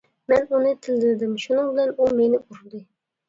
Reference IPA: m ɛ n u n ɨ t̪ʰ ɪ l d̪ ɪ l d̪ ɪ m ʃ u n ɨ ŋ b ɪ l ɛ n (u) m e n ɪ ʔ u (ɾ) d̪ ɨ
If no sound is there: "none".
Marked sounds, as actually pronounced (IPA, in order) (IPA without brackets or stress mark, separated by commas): u, ɾ